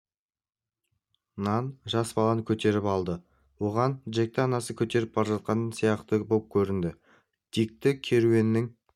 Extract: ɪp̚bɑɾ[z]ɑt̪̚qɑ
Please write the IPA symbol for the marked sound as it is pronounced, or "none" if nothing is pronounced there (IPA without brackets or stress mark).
ʒ